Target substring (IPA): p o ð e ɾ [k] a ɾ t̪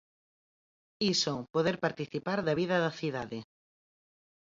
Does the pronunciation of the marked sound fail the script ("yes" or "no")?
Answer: yes